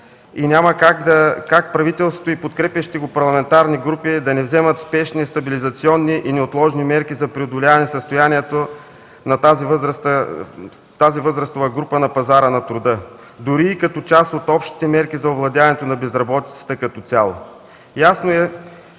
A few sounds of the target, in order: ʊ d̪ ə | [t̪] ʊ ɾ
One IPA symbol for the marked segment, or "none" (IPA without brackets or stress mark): d̪